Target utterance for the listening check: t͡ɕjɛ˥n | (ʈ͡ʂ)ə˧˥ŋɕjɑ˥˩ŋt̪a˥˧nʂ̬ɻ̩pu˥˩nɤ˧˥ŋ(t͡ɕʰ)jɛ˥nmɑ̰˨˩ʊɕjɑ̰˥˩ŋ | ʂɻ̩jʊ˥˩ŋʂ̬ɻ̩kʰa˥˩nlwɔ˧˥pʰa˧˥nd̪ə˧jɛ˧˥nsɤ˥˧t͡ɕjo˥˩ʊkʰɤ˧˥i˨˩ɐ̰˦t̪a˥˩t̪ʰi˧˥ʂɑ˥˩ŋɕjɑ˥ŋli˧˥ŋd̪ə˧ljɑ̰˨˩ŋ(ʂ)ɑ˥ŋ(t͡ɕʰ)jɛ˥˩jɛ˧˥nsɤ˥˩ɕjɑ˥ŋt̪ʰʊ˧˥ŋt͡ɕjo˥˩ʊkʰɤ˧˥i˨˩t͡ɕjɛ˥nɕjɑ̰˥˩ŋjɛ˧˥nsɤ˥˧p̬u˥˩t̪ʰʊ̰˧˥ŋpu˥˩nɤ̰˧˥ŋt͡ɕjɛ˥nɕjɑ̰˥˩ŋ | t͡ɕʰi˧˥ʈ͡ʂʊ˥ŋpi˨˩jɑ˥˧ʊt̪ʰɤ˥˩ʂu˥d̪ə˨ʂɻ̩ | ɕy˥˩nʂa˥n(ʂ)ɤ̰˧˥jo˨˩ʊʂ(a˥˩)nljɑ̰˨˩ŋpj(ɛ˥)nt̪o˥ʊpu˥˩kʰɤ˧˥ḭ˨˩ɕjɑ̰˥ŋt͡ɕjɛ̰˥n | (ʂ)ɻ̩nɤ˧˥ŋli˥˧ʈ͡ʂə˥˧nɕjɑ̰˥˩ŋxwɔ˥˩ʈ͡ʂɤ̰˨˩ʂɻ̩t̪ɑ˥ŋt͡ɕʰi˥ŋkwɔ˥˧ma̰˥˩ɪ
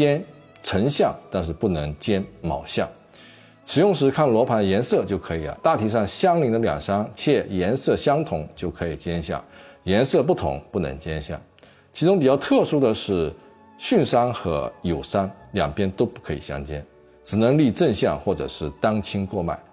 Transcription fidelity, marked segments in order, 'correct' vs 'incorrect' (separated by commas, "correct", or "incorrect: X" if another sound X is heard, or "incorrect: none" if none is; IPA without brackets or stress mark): incorrect: ʈ͡ʂʰ, incorrect: t͡ɕ, correct, correct, incorrect: x, incorrect: a˥, correct, incorrect: ʈ͡ʂ